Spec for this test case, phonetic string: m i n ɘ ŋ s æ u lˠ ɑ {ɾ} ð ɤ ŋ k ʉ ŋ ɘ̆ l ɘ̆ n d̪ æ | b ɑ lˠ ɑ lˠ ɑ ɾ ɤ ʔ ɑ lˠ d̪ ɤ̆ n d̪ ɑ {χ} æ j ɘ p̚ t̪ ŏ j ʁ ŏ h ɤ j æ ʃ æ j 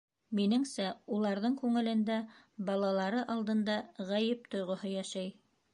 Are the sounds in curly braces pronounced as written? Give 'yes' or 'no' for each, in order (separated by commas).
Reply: yes, no